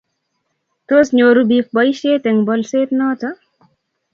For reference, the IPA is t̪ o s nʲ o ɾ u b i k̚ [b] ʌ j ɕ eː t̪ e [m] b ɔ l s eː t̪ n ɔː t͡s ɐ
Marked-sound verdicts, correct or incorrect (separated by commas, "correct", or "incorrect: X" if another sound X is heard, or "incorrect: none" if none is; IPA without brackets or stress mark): correct, incorrect: ŋ